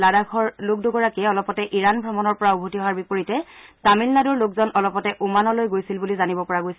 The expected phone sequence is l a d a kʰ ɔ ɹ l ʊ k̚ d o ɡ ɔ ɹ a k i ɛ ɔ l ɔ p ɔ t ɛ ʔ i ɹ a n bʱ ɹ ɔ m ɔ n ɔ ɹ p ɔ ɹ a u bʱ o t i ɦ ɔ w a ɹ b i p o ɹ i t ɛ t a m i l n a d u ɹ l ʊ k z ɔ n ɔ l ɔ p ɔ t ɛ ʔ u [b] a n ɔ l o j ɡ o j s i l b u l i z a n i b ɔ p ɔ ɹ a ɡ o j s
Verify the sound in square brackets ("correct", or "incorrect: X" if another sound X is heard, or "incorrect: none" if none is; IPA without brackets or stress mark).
incorrect: m